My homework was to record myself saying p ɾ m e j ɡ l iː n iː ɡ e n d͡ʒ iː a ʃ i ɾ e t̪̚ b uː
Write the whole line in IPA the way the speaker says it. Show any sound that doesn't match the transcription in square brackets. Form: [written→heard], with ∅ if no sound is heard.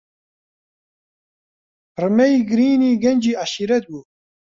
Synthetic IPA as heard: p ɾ m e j ɡ [l→ɾ] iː n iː ɡ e n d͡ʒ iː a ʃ i ɾ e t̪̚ b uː